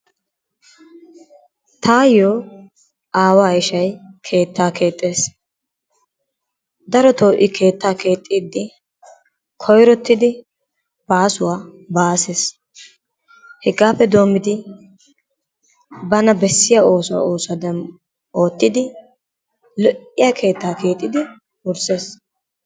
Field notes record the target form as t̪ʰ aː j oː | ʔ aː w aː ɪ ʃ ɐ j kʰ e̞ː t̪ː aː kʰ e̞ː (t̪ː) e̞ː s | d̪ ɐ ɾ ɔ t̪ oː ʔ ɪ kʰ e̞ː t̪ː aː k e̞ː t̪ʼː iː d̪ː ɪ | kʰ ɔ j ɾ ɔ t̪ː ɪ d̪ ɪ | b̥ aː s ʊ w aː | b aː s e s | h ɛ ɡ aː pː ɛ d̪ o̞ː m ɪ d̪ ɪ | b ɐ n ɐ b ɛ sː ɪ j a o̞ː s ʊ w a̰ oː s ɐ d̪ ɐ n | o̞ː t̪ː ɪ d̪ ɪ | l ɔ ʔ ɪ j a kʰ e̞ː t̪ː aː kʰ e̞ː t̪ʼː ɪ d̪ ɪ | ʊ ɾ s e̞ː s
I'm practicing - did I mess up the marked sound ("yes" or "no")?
yes